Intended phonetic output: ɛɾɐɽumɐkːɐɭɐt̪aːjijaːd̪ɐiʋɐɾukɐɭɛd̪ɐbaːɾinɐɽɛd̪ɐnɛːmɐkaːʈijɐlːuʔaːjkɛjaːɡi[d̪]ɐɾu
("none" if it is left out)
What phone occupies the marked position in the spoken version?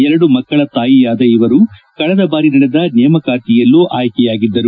d̪ː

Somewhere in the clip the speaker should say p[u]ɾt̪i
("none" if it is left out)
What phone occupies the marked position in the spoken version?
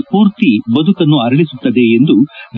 uː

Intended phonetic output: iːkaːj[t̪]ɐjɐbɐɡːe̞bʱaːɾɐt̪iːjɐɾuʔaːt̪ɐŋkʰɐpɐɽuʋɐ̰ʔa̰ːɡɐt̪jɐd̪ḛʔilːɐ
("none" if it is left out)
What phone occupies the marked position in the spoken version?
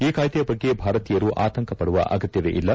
t̪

